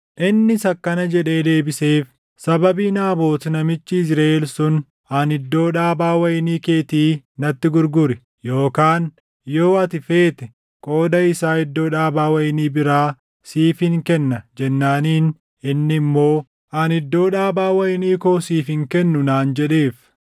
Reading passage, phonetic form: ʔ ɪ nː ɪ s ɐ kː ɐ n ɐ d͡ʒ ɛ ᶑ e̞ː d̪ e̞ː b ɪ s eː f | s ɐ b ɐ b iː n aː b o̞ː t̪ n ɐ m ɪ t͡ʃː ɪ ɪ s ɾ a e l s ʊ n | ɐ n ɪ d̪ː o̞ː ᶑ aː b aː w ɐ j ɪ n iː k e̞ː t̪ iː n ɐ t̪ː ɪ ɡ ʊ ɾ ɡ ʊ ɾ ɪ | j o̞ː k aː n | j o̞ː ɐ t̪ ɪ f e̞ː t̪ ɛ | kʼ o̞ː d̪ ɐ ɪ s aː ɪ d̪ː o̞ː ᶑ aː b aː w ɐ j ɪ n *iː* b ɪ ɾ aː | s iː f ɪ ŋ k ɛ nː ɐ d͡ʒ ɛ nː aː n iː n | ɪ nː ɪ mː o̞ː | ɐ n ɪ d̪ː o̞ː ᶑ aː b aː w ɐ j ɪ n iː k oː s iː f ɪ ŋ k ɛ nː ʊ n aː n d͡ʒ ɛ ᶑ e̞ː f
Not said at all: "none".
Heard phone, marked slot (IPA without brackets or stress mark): iː